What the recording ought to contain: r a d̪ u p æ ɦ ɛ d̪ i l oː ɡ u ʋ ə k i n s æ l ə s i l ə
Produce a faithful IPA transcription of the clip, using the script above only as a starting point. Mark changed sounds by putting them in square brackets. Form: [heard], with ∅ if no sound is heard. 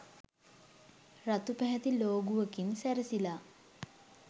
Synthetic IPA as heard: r a [t̪] u p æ ɦ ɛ [t̪] i l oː ɡ u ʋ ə k i n s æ [ɾ] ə s i l [a]